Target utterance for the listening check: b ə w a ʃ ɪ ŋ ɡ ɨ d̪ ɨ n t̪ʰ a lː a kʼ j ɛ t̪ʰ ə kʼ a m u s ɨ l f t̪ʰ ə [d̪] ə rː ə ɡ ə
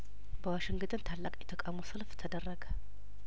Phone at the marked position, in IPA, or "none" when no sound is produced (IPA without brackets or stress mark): d̪